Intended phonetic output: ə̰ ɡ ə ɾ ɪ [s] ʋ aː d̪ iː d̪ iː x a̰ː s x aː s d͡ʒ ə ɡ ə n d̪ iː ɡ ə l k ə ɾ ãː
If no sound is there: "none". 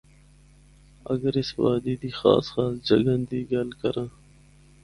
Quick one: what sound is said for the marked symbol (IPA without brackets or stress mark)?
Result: s